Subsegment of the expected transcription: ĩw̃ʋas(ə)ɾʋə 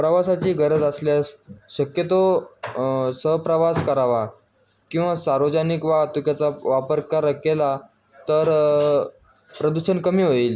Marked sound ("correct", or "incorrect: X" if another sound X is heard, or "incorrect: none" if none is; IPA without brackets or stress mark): incorrect: a